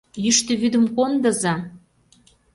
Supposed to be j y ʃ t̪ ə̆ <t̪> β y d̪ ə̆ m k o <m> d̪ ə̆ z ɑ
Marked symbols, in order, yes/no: no, no

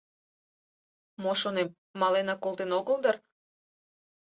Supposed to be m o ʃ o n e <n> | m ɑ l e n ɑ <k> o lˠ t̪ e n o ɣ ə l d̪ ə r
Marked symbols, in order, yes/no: no, yes

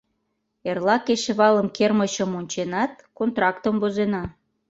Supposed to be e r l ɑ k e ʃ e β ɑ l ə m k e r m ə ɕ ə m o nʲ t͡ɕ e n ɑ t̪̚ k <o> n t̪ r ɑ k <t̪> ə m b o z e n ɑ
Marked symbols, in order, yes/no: yes, yes

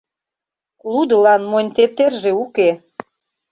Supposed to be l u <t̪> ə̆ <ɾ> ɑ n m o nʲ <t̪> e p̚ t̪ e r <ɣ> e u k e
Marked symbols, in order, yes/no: no, no, yes, no

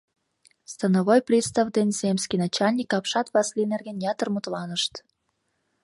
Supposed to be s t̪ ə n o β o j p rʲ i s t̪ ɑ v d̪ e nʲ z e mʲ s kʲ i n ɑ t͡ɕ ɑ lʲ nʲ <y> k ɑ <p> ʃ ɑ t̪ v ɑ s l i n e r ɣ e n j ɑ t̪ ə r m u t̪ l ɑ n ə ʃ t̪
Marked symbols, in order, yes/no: no, yes

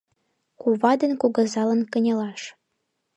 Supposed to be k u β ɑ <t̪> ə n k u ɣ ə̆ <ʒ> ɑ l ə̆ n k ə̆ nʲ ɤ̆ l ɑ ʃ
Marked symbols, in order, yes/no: no, no

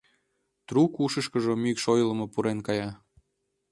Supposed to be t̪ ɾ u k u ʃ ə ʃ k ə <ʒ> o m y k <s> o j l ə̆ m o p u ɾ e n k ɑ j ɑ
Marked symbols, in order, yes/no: yes, no

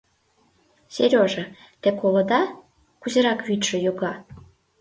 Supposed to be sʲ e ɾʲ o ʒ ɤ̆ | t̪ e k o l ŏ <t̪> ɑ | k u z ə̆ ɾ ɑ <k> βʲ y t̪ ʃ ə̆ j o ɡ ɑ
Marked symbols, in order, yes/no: no, yes

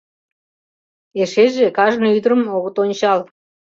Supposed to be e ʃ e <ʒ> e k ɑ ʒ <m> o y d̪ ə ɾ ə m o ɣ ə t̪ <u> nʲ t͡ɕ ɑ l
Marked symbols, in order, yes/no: yes, no, no

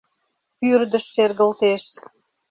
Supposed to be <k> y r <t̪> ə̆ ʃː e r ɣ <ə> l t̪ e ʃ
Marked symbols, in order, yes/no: no, no, yes

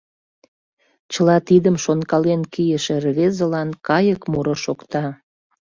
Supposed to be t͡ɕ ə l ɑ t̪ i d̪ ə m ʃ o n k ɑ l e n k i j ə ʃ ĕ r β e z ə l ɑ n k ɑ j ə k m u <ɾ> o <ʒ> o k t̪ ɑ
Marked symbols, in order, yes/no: yes, no

